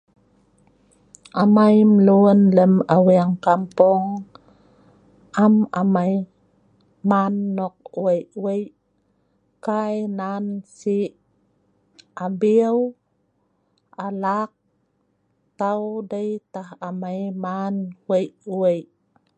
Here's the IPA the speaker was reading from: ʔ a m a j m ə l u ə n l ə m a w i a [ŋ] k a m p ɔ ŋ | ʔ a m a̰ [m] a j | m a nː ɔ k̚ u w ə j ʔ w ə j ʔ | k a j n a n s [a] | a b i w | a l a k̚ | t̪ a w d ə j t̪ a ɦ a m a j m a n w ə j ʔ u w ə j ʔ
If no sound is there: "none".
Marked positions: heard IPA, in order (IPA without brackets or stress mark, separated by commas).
ŋ, m, i